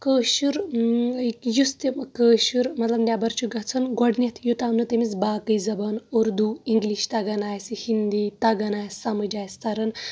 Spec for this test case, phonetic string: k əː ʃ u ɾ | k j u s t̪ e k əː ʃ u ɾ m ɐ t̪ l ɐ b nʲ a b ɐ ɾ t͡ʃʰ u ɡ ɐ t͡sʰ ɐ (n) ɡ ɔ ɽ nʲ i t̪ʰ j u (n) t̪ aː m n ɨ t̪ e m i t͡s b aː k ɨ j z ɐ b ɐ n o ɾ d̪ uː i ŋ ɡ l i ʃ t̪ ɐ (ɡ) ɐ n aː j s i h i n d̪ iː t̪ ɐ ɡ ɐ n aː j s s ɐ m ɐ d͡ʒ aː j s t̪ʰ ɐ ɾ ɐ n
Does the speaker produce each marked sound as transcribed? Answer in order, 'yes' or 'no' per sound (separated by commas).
yes, no, yes